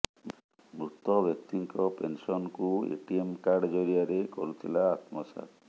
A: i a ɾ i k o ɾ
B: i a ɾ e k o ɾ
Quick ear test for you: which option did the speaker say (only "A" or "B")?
B